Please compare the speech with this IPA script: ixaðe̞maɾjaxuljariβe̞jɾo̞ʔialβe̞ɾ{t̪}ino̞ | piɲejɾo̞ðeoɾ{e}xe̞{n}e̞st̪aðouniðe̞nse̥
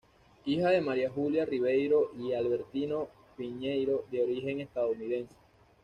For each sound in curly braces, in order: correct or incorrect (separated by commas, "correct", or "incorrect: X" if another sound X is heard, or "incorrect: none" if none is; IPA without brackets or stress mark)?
correct, incorrect: i, incorrect: ŋ